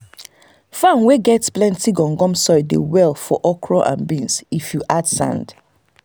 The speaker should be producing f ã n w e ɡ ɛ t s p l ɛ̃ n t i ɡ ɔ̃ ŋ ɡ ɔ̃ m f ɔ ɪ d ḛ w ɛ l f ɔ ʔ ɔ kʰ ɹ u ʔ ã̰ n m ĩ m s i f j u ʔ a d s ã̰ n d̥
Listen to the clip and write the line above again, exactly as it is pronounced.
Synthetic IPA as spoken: f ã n w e ɡ ɛ t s p l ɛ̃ n t i ɡ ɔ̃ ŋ ɡ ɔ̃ m s ɔ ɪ d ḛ w ɛ l f ɔ ʔ ɔ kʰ ɹ ɔ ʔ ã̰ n b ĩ n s i f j u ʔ a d s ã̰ n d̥